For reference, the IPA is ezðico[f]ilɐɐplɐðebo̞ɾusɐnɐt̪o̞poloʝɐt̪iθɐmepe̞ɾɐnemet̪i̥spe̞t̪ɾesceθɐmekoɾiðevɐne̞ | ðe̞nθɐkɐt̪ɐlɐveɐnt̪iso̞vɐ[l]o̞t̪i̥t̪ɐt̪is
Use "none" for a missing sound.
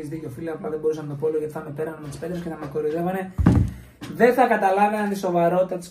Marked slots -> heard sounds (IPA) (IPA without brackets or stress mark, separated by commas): f, ɾ